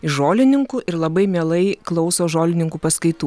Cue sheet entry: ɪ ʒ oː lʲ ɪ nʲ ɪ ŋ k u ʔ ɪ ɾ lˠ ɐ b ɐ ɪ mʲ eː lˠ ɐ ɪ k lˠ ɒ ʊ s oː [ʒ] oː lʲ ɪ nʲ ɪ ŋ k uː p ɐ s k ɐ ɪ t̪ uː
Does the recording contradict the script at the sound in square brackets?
no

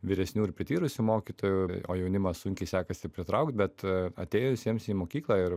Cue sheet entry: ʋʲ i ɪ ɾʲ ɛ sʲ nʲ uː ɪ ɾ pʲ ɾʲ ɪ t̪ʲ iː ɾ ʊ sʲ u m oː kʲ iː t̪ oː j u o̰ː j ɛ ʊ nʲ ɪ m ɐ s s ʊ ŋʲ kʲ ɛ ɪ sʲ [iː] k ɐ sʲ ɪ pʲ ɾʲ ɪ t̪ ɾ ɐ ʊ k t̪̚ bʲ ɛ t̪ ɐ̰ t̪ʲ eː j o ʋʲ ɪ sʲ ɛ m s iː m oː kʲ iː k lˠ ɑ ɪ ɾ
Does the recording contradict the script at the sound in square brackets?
yes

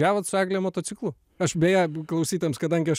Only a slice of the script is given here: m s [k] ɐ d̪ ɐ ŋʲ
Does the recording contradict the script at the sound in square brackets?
no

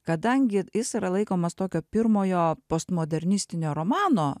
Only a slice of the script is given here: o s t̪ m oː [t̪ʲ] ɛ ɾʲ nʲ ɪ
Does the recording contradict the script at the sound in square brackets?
yes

